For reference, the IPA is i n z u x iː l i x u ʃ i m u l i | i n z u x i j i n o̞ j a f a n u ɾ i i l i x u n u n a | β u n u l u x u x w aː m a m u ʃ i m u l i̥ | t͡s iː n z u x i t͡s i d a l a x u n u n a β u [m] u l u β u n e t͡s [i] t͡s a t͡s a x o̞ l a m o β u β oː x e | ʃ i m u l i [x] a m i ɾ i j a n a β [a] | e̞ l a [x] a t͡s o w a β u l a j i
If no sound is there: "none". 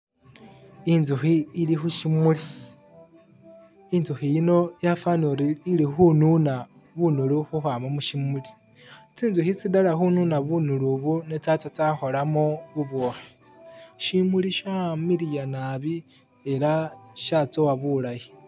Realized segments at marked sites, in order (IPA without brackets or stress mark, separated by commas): n, a, ʃ, i, ʃ